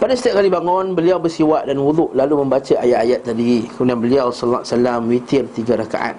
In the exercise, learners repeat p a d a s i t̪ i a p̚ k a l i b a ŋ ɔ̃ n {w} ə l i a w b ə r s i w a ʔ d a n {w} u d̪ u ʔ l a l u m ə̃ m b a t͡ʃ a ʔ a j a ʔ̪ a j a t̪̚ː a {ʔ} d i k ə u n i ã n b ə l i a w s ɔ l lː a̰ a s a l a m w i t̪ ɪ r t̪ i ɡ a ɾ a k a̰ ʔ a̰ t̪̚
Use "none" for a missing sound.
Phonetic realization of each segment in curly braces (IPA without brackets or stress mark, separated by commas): b, w, none